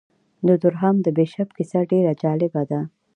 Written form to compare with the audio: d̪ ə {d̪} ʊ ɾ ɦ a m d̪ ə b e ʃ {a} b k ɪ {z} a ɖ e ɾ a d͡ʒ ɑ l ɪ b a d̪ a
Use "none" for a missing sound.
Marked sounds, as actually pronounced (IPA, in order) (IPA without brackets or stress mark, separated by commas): d̪, a, s